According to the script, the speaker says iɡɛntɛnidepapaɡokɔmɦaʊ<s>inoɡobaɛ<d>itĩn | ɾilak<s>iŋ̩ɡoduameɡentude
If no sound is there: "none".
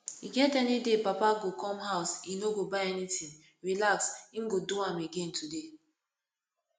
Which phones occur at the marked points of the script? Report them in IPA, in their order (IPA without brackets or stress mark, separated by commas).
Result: s, n, s